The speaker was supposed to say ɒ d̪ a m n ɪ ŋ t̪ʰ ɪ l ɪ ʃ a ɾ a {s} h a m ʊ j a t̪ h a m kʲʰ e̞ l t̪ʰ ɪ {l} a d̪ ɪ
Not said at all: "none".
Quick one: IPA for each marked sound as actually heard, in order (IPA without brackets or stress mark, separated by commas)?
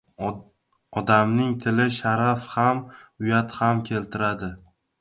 f, ɾ